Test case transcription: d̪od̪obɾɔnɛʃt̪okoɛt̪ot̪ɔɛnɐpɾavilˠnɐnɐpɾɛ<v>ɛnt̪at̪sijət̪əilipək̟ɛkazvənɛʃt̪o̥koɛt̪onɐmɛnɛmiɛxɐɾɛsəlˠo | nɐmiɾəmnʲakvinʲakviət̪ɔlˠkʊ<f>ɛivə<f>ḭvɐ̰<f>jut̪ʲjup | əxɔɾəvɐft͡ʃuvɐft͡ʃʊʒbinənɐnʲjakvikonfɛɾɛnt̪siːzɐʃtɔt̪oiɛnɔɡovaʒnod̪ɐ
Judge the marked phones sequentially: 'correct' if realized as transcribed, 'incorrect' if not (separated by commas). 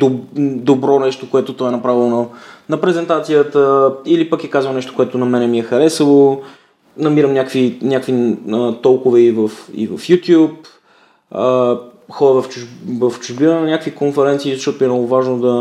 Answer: incorrect, incorrect, correct, correct